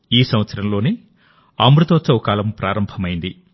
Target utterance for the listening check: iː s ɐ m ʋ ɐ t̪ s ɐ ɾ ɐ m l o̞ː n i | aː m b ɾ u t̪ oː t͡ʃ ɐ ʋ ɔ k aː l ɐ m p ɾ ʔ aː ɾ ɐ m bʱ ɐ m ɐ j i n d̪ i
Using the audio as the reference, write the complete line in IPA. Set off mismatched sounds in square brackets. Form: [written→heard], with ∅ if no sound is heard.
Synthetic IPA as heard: iː s ɐ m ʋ ɐ t̪ s ɐ ɾ ɐ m l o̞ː n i | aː m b ɾ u t̪ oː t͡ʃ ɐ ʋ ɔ k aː l ɐ m p ɾ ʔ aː ɾ ɐ m bʱ ɐ m ɐ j i n d̪ i